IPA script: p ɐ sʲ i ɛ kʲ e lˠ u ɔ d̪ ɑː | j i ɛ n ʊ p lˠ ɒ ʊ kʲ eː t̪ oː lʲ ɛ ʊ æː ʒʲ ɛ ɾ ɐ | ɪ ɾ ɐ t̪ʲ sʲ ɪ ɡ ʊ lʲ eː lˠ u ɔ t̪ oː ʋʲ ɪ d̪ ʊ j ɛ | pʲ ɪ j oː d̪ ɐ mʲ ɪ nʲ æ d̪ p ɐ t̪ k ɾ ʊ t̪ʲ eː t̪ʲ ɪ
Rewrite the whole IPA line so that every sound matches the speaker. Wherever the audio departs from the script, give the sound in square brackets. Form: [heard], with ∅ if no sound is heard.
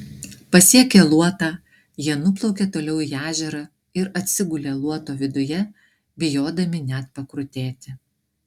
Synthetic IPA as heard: p ɐ sʲ i ɛ kʲ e lˠ u ɔ [t̪] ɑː | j i ɛ n ʊ p lˠ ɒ ʊ kʲ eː t̪ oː lʲ ɛ ʊ æː ʒʲ ɛ ɾ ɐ | ɪ ɾ ɐ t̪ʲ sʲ ɪ ɡ ʊ lʲ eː lˠ u ɔ t̪ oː ʋʲ ɪ d̪ ʊ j ɛ | [bʲ] ɪ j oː d̪ ɐ mʲ ɪ nʲ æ [t̪] p ɐ [∅] k ɾ ʊ t̪ʲ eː t̪ʲ ɪ